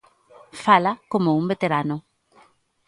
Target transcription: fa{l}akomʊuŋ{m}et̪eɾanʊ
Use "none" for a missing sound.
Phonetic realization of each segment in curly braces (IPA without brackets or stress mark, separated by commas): l, b